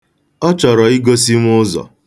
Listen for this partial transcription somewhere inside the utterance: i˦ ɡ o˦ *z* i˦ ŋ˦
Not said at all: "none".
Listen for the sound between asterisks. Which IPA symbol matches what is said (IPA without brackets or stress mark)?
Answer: s